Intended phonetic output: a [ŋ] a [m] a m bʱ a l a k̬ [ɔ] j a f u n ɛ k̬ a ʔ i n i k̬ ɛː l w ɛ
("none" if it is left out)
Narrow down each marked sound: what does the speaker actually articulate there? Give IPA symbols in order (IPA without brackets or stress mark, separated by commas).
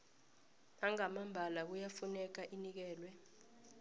ŋ, m, u